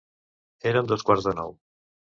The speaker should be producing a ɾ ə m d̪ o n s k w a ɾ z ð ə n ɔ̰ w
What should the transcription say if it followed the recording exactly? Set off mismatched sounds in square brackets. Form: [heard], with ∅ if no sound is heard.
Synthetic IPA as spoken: [e] ɾ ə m d̪ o [∅] s k w a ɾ z ð ə n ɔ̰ w